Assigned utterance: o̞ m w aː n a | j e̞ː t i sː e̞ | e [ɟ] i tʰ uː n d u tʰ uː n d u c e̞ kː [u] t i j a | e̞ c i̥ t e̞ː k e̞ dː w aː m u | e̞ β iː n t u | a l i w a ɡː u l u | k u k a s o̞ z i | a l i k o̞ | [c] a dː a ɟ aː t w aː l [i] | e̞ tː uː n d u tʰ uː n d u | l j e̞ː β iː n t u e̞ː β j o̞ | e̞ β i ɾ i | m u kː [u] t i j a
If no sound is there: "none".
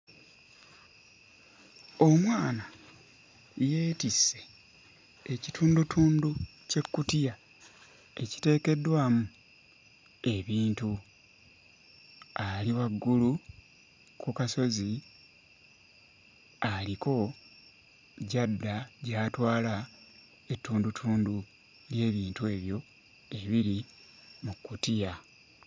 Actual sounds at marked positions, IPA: c, u, ɟ, a, u

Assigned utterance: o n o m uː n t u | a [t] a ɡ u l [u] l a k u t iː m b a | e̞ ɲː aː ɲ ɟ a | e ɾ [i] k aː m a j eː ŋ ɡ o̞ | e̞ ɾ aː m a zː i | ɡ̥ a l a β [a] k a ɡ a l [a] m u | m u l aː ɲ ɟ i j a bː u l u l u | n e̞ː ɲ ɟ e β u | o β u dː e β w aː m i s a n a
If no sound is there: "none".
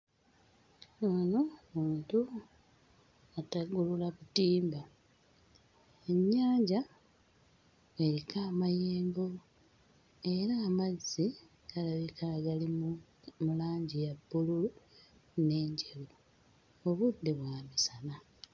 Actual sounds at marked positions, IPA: t, u, i, i, i

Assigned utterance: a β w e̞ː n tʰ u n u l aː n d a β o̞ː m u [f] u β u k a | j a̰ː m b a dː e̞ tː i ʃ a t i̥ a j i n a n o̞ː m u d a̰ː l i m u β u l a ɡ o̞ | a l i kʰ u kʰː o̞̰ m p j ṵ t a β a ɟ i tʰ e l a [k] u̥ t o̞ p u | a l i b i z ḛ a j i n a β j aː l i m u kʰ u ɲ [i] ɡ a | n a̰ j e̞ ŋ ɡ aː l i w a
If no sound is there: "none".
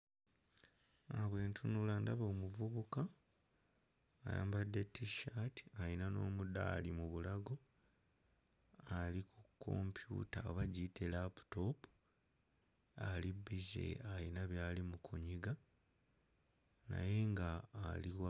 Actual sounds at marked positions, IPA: v, p, i

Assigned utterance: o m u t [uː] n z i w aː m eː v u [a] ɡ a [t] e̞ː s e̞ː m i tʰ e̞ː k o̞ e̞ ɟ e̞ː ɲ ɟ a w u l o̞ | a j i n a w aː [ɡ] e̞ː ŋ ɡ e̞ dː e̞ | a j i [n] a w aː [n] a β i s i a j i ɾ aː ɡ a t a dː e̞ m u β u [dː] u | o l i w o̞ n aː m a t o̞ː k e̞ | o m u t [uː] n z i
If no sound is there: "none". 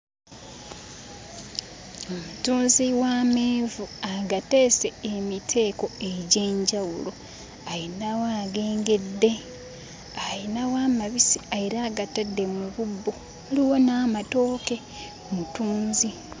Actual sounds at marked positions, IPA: uː, a, t, ɡ, n, m, bː, uː

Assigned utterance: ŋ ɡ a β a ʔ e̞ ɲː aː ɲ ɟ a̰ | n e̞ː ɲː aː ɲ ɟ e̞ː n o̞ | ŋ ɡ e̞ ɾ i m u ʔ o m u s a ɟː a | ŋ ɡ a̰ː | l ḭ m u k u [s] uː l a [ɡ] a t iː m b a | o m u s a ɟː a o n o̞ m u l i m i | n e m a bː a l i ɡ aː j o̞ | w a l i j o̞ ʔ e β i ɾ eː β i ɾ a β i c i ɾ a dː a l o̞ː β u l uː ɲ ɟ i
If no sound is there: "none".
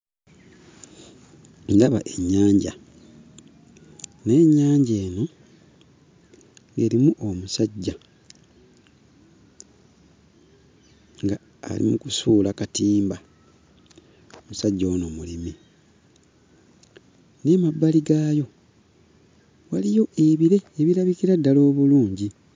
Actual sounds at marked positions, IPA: s, k

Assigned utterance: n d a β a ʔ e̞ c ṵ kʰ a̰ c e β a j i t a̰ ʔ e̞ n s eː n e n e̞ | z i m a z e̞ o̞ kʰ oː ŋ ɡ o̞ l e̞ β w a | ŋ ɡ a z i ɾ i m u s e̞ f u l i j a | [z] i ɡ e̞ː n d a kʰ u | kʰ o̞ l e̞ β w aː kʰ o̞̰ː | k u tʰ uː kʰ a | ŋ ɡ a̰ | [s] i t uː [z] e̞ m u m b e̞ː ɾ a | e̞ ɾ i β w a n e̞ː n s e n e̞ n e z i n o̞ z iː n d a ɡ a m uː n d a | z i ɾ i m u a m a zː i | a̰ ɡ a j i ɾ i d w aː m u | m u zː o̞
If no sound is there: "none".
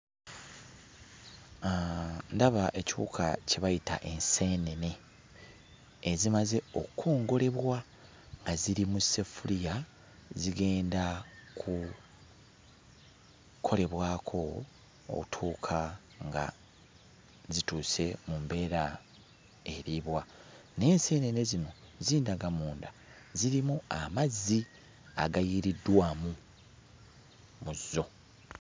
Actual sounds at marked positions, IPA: z, z, s

